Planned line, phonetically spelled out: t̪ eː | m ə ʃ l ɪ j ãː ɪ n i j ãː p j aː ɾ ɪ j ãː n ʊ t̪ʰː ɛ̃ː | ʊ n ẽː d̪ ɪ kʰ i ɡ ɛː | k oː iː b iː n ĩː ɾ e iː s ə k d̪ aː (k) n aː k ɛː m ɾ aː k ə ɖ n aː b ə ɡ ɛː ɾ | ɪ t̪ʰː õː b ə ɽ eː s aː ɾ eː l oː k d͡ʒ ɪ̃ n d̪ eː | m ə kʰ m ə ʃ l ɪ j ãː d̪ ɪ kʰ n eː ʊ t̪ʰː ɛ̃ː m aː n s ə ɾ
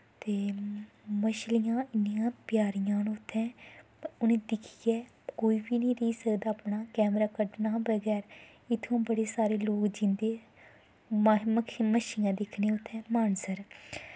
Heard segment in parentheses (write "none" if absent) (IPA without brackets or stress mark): p